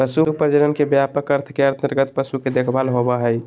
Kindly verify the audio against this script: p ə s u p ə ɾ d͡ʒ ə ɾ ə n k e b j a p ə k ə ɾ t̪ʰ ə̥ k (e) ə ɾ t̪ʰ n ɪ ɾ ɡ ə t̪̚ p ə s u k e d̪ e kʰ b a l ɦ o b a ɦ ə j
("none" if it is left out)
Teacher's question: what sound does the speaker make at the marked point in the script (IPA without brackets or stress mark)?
e